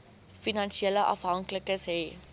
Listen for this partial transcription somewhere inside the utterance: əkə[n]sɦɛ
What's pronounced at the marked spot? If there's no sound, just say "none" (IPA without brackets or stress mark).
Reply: none